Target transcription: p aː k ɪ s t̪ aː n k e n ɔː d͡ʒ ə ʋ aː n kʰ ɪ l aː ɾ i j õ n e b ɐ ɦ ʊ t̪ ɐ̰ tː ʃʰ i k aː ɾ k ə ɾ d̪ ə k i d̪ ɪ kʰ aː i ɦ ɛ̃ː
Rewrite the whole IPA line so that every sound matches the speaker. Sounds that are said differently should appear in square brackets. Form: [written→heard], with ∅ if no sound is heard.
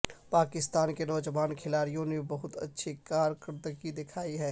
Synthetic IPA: p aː k ɪ s t̪ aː n k e n ɔː d͡ʒ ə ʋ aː n kʰ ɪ l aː ɾ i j õ n e b ɐ ɦ ʊ t̪ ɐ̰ tː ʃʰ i k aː ɾ k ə ɾ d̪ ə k i d̪ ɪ kʰ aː i ɦ [ɛ̃ː→ɛː]